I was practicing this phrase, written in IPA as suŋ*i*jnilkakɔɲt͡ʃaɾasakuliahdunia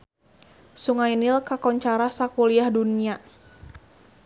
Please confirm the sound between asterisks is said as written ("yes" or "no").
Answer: no